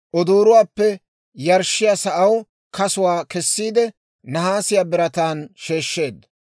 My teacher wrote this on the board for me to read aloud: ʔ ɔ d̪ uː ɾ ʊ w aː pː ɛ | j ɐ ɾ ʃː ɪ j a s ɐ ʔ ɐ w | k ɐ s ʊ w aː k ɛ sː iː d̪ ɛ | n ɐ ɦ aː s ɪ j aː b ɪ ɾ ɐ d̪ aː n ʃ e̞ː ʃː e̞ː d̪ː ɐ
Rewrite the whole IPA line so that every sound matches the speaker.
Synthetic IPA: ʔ ɔ d̪ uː ɾ ʊ w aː pː ɛ | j ɐ ɾ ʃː ɪ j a s ɐ ʔ ɐ w | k ɐ s ʊ w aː k ɛ sː iː d̪ ɛ | n ɐ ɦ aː s ɪ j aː b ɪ ɾ ɐ t̪ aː n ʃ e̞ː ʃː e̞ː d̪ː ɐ